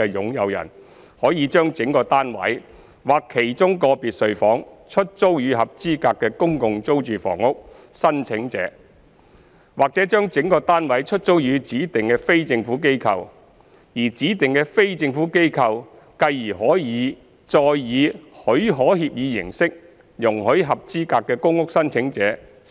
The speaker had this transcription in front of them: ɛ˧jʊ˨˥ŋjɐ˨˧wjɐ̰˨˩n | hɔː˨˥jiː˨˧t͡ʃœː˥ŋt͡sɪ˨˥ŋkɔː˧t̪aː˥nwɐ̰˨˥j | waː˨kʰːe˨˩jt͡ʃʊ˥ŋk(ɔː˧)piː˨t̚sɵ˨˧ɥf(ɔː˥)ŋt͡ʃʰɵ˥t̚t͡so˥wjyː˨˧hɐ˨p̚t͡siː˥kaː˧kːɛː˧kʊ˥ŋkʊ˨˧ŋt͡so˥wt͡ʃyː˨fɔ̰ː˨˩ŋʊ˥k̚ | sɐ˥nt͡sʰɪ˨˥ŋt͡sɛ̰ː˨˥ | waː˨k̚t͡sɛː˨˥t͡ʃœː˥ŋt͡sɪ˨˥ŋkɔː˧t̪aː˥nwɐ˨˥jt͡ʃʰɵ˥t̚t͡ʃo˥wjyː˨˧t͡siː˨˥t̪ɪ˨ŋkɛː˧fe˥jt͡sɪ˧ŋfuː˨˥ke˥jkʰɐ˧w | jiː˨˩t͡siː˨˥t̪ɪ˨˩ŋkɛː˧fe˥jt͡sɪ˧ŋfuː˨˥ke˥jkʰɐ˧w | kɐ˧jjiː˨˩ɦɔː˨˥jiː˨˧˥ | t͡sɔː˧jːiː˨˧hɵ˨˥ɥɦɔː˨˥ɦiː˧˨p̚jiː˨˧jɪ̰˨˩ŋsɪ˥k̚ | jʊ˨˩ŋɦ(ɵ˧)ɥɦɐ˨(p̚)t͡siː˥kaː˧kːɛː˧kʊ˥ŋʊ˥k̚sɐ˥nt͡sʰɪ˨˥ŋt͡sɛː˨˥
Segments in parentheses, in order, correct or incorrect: correct, incorrect: ɔː˨˥, incorrect: ɵ˨˥, correct

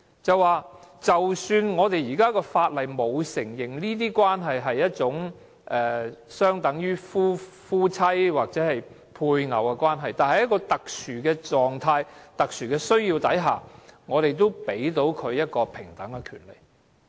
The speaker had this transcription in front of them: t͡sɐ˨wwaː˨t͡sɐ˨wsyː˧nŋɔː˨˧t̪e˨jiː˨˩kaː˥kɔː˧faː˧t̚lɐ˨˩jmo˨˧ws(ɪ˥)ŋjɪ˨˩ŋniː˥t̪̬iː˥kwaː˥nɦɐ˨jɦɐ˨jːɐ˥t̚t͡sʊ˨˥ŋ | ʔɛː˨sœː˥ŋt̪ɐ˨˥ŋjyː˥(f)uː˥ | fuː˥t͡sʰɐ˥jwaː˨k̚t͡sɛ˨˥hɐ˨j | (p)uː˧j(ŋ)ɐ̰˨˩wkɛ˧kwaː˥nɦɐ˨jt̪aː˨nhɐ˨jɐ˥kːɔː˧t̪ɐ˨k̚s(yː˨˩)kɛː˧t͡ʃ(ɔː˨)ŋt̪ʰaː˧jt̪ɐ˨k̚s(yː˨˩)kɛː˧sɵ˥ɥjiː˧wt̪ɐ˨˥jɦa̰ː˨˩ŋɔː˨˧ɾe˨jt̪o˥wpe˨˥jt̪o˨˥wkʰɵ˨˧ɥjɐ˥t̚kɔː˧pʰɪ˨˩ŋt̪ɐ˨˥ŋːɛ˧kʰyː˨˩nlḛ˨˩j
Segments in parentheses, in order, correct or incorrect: incorrect: ɪ˨˩, correct, incorrect: pʰ, correct, correct, correct, correct

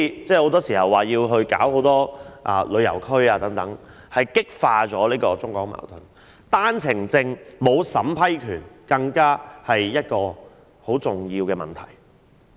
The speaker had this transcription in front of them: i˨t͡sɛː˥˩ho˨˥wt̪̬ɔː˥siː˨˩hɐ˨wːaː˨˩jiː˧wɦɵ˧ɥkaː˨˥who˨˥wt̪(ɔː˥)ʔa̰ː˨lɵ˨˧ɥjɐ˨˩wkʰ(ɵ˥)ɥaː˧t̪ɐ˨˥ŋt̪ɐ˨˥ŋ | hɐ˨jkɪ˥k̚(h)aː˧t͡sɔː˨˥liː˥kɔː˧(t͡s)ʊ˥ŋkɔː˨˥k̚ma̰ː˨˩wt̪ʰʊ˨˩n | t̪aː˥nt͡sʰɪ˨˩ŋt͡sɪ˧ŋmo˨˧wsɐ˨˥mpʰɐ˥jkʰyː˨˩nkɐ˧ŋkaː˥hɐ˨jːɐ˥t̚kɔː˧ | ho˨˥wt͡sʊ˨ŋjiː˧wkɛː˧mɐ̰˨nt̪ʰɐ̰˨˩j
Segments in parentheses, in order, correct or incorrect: correct, correct, incorrect: f, correct

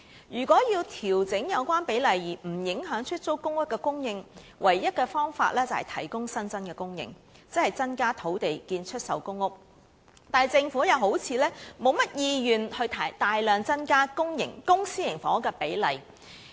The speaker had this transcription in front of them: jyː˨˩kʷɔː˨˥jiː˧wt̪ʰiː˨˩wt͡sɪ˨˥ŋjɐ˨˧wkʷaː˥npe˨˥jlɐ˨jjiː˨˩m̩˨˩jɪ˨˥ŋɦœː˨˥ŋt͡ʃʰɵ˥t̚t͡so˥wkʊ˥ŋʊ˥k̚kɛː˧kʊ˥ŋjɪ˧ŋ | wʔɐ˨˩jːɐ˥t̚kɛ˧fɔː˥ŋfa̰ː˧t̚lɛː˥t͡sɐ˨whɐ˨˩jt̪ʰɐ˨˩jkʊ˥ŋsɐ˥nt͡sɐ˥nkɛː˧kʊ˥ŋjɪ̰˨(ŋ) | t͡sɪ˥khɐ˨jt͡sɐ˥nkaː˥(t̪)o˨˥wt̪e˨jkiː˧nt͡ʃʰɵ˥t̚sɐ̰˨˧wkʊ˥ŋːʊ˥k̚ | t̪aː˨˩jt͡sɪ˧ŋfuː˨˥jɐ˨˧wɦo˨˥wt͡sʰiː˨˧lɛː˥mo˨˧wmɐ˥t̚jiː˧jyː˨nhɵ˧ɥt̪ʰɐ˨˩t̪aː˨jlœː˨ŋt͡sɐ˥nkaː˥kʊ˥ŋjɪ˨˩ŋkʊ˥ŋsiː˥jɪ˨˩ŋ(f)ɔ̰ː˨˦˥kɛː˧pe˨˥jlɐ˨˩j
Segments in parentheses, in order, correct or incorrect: correct, incorrect: t̪ʰ, correct

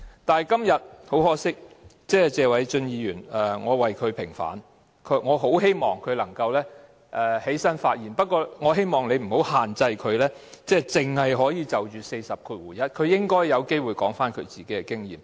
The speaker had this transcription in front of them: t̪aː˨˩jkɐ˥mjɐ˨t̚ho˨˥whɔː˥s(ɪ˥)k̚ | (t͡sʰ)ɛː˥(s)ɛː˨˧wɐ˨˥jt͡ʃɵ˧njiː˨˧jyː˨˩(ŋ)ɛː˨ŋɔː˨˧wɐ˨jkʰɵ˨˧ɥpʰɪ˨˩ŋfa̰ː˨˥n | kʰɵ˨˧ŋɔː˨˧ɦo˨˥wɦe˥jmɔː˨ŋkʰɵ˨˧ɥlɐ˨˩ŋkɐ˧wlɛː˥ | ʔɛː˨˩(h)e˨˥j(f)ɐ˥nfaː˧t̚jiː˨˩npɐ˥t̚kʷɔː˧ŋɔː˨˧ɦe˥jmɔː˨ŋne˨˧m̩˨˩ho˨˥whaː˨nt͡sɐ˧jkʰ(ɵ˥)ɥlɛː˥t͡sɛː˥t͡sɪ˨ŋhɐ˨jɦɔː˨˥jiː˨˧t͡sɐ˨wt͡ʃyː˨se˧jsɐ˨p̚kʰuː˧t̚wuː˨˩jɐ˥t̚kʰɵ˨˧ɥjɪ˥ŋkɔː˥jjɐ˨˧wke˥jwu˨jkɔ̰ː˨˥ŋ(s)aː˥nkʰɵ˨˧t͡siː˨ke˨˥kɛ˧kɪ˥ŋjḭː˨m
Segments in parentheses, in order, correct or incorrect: correct, incorrect: t͡s, incorrect: t͡s, incorrect: n, correct, incorrect: s, incorrect: ɵ˨˧, incorrect: f

